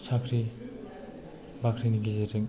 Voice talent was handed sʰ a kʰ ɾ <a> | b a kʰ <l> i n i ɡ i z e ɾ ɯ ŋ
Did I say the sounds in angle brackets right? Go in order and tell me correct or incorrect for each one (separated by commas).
incorrect, incorrect